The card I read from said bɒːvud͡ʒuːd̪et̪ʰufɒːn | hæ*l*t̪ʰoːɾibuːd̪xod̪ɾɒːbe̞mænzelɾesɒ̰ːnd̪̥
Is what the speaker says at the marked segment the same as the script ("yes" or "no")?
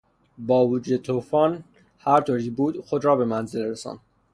no